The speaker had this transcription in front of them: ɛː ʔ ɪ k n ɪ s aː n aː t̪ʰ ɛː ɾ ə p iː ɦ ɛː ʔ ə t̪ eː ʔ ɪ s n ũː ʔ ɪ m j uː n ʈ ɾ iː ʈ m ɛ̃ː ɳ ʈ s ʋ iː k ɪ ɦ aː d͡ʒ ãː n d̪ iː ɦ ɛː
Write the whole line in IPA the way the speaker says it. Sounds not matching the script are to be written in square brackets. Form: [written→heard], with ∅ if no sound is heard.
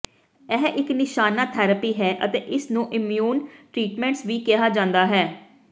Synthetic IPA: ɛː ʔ ɪ k n ɪ [s→ʃ] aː n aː t̪ʰ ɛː ɾ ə p iː ɦ ɛː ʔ ə t̪ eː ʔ ɪ s n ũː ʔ ɪ m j uː n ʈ ɾ iː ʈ m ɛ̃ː ɳ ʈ s ʋ iː k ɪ ɦ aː d͡ʒ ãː n d̪ [iː→aː] ɦ ɛː